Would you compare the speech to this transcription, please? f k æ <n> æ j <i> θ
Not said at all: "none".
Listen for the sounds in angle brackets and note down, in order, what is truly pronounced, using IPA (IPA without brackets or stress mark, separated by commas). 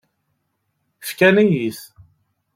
n, i